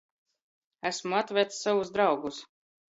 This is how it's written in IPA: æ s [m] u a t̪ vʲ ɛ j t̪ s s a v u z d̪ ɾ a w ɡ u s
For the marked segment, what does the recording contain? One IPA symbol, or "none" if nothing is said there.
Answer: m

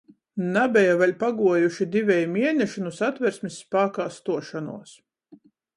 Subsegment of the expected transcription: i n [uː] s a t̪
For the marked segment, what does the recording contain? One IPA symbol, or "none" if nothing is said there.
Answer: u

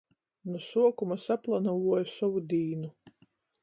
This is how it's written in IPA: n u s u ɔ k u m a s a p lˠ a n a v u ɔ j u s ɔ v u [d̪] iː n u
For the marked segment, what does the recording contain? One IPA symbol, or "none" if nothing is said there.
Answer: d̪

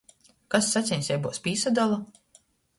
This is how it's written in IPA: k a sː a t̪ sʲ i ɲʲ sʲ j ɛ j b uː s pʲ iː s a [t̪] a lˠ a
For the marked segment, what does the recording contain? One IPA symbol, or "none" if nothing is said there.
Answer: d̪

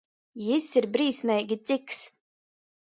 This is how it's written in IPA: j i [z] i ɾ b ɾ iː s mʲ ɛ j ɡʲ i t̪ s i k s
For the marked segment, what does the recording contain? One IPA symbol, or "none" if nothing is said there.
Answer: s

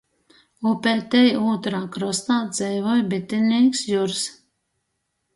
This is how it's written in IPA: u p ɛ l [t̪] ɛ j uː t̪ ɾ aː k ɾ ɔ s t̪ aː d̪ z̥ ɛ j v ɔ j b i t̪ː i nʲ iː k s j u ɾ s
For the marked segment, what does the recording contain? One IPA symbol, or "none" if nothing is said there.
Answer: t̪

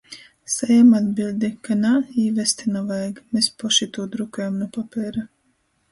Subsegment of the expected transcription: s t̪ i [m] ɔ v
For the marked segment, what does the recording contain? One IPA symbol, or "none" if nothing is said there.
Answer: n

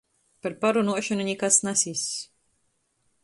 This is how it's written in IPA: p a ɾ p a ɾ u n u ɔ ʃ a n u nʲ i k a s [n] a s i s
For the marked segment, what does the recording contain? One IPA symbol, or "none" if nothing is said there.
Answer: n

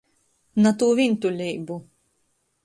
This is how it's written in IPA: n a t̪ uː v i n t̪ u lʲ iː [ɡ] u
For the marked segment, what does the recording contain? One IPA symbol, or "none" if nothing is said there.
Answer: b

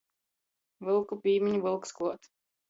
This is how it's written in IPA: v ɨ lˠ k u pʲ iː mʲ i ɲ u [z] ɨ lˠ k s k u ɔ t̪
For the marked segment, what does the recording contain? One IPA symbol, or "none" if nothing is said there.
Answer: v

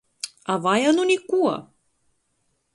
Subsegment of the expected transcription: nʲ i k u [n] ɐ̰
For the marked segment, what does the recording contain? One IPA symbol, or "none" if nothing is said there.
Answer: none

